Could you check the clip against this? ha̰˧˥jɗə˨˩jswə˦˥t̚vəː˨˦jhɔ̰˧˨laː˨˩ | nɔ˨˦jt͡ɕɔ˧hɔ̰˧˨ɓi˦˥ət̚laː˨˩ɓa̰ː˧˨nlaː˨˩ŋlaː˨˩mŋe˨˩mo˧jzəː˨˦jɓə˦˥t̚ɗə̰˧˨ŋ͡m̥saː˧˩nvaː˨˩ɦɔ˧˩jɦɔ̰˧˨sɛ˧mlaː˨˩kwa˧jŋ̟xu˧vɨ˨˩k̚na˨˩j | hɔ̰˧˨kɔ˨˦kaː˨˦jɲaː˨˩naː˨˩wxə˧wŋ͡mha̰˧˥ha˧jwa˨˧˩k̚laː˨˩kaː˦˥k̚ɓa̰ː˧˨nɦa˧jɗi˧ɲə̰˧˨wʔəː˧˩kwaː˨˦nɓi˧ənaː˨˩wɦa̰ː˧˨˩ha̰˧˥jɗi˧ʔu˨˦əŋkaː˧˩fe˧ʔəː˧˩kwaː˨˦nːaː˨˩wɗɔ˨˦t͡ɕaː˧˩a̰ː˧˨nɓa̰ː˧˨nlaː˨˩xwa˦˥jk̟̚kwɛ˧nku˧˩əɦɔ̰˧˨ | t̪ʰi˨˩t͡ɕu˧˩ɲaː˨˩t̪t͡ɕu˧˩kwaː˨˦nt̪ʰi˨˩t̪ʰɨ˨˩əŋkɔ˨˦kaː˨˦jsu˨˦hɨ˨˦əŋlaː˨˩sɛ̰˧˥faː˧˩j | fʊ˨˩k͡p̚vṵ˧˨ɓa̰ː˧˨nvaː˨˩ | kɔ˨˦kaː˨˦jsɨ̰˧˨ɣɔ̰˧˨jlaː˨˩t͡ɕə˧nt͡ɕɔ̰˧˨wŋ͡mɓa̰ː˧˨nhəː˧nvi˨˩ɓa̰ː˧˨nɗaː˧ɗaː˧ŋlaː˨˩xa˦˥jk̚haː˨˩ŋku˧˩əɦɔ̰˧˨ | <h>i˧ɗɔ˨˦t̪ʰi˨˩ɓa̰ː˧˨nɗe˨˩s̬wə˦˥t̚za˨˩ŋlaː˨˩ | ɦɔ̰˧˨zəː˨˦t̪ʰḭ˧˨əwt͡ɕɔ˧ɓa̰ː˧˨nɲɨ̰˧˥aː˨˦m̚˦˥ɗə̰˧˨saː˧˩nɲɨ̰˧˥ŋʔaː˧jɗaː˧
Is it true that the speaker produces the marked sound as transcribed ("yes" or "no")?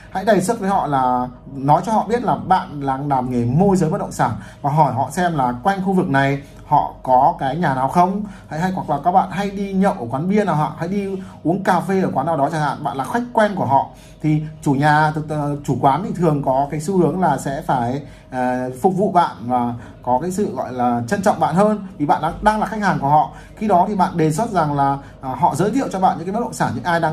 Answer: no